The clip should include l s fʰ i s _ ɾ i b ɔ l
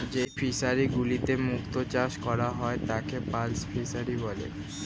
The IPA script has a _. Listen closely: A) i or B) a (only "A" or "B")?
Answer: B